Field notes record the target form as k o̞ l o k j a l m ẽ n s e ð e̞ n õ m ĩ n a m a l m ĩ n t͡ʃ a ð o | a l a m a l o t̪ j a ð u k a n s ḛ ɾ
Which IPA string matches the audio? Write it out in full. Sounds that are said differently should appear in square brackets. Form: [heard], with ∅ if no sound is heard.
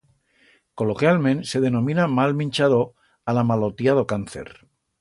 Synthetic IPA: k o̞ l o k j a l m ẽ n s e ð e̞ n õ m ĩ n a m a l m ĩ n t͡ʃ a ð o | a l a m a l o t̪ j a ð [o] k a n [θ] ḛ ɾ